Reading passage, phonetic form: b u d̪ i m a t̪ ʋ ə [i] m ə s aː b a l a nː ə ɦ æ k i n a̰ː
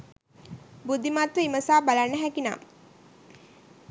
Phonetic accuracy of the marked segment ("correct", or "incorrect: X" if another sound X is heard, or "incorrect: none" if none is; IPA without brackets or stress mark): correct